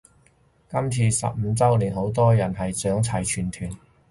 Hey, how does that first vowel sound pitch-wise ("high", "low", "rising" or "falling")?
high